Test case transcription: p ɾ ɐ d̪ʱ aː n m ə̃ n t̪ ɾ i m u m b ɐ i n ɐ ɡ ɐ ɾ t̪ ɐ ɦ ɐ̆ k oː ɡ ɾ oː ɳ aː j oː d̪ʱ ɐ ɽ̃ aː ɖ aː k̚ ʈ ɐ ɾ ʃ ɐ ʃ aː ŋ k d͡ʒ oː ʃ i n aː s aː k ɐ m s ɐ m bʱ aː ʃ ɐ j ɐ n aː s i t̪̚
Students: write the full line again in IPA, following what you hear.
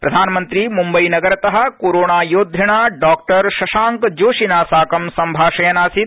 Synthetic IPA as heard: p ɾ ɐ d̪ʱ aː n m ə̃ n t̪ ɾ i m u m b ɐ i n ɐ ɡ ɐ ɾ t̪ ɐ ɦ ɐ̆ k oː ɾ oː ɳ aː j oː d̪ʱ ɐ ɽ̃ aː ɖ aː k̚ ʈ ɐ ɾ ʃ ɐ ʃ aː ŋ k d͡ʒ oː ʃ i n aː s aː k ɐ m s ɐ m bʱ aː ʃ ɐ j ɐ n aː s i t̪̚

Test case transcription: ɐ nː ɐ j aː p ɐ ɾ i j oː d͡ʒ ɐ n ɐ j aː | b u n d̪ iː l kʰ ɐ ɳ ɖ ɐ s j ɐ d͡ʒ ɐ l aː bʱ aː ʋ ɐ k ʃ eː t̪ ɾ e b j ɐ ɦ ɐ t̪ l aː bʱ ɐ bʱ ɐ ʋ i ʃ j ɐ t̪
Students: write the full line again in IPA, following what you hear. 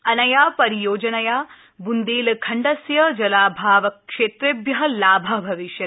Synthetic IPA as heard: ɐ n ɐ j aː p ɐ ɾ i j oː d͡ʒ ɐ n ɐ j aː | b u n d̪ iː l kʰ ɐ ɳ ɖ ɐ s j ɐ d͡ʒ ɐ l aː bʱ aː ʋ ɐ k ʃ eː t̪ ɾ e b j ɐ ɦ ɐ l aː bʱ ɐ bʱ ɐ ʋ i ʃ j ɐ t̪

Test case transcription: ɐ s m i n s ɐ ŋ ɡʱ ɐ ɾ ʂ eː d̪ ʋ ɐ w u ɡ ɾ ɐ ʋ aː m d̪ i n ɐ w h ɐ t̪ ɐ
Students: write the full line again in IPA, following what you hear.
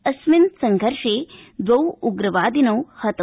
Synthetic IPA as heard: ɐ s m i n s ɐ ŋ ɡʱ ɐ ɾ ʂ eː d̪ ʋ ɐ w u ɡ ɾ ɐ ʋ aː d̪ i n ɐ w h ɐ t̪ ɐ

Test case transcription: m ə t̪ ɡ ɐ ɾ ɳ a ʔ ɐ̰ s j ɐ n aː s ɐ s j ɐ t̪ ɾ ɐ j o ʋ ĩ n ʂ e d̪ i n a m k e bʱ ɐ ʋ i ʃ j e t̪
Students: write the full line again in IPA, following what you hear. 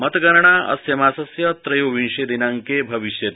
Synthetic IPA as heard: m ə t̪ ɡ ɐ ɾ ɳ a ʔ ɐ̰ s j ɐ m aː s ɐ s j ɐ t̪ ɾ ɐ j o ʋ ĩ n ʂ e d̪ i n a ŋ k e bʱ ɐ ʋ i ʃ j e t̪

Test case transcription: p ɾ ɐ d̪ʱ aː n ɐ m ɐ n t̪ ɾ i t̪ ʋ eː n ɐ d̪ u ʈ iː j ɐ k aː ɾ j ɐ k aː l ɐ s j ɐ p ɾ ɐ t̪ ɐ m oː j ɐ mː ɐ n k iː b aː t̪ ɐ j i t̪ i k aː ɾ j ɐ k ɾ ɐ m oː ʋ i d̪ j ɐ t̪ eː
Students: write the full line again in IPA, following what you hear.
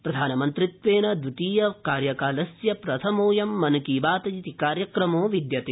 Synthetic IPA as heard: p ɾ ɐ d̪ʱ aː n ɐ m ɐ n t̪ ɾ i t̪ ʋ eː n ɐ d̪ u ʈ iː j ɐ k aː ɾ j ɐ k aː l ɐ s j ɐ p ɾ ɐ t̪ʰ ɐ m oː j ɐ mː ɐ n k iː b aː t̪ ɐ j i t̪ i k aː ɾ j ɐ k ɾ ɐ m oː ʋ i d̪ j ɐ t̪ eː

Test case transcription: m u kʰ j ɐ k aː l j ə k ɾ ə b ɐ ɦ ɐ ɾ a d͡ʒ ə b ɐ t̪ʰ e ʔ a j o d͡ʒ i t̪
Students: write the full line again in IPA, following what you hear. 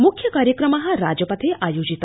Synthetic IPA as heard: m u kʰ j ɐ k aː ɾ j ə k ɾ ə m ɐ ɦ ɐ ɾ a d͡ʒ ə p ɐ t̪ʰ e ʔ a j o d͡ʒ i t̪

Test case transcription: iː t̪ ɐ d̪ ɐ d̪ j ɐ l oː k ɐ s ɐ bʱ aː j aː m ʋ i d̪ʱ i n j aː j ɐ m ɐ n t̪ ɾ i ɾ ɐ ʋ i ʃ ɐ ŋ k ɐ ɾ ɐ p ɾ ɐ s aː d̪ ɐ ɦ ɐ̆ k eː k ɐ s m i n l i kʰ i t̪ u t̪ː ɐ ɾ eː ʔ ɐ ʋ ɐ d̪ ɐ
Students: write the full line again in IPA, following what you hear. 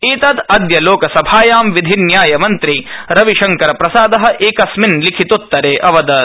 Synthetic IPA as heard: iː t̪ ɐ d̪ ɐ d̪ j ɐ l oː k ɐ s ɐ bʱ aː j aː m ʋ i d̪ʱ i n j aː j ɐ m ɐ n t̪ ɾ i ɾ ɐ ʋ i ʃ ɐ ŋ k ɐ ɾ ɐ p ɾ ɐ s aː d̪ ɐ ɦ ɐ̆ ʔ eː k ɐ s m i n l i kʰ i t̪ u t̪ː ɐ ɾ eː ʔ ɐ ʋ ɐ d̪ ɐ

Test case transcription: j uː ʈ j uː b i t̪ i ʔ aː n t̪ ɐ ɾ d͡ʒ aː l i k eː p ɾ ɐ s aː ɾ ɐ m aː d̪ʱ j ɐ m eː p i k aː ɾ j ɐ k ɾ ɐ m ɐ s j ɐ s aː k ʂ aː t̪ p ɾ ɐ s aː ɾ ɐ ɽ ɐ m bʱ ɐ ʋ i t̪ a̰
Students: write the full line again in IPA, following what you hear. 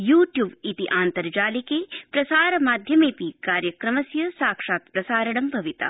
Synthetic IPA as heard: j uː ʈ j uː b i t̪ i ʔ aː n t̪ ɐ ɾ d͡ʒ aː l i k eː p ɾ ɐ s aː ɾ ɐ m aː d̪ʱ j ɐ m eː p i k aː ɾ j ɐ k ɾ ɐ m ɐ s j ɐ s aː k ʂ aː t̪ p ɾ ɐ s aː ɾ ɐ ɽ ɐ m bʱ ɐ ʋ i t̪ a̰

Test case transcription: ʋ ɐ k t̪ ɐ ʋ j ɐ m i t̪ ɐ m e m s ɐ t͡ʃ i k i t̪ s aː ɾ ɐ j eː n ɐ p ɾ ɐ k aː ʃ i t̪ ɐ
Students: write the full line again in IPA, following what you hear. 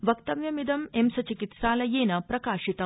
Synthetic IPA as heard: ʋ ɐ k t̪ ɐ ʋ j ɐ m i d̪ ɐ m e m s ɐ t͡ʃ i k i t̪ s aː l ɐ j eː n ɐ p ɾ ɐ k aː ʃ i t̪ ɐ

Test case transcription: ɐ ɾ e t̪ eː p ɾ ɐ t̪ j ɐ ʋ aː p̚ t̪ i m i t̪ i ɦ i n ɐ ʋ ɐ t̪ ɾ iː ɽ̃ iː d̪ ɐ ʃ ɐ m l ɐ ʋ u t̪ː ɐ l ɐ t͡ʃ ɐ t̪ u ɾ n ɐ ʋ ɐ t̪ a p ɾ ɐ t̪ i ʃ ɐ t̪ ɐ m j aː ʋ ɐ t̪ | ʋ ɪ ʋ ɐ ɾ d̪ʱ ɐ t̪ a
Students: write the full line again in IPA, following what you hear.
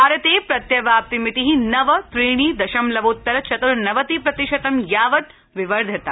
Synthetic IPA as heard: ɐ ɾ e t̪ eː p ɾ ɐ t̪ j ɐ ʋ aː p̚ t̪ i m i t̪ i ɦ i n ɐ ʋ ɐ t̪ ɾ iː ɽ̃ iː d̪ ɐ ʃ ɐ m l ɐ ʋ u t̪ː ɐ ɾ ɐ t͡ʃ ɐ t̪ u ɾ n ɐ ʋ ɐ t̪ i p ɾ ɐ t̪ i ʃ ɐ t̪ ɐ m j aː ʋ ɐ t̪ | ʋ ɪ ʋ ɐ ɾ d̪ʱ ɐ t̪ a

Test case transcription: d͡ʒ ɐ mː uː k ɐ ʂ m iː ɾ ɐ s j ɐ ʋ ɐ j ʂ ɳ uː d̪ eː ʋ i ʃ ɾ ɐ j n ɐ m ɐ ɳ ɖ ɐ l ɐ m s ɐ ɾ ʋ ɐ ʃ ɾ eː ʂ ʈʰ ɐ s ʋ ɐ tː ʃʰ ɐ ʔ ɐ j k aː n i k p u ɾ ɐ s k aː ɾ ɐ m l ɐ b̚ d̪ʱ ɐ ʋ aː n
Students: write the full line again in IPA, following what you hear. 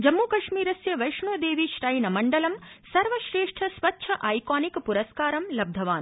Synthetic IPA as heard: d͡ʒ ɐ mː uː k ɐ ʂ m iː ɾ ɐ s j ɐ ʋ ɐ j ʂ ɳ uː d̪ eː ʋ i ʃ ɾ ɐ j n ɐ m ɐ ɳ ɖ ɐ l ɐ m s ɐ ɾ ʋ ɐ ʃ ɾ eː ʂ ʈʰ ɐ s ʋ ɐ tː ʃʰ ɐ ʔ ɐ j k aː n i k p u ɾ ɐ s k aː ɾ ɐ m l ɐ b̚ d̪ʱ ɐ ʋ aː n

